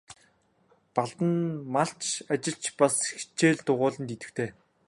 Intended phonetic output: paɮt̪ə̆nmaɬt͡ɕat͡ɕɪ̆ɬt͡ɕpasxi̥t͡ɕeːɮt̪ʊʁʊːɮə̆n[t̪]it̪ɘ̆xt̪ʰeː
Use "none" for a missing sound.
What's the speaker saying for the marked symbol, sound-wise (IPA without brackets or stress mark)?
t̪